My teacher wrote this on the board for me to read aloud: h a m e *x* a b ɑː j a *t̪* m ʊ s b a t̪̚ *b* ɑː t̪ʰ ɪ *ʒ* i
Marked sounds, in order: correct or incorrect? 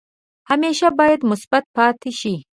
incorrect, incorrect, incorrect, incorrect

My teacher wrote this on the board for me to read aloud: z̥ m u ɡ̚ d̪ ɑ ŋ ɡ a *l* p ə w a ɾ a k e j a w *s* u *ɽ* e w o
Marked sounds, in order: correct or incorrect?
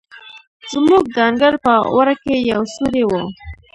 incorrect, correct, incorrect

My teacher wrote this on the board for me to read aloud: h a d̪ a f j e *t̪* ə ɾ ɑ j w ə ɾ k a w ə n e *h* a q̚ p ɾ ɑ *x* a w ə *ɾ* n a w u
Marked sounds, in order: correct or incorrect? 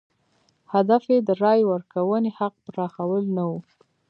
incorrect, correct, correct, incorrect

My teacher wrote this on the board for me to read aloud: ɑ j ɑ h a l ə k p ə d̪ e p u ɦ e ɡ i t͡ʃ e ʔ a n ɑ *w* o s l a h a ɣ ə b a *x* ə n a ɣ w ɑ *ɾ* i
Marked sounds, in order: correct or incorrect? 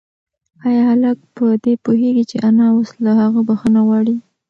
correct, correct, incorrect

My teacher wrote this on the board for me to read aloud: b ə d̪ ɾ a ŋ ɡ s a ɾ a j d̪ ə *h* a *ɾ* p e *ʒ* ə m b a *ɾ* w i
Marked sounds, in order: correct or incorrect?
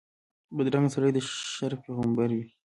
incorrect, correct, incorrect, correct

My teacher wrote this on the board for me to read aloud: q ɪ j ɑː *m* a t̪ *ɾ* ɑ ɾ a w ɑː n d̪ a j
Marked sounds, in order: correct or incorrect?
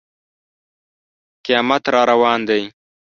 correct, correct

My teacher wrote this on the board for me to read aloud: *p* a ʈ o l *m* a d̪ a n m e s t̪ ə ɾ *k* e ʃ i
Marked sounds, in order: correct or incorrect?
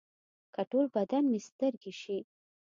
incorrect, incorrect, incorrect

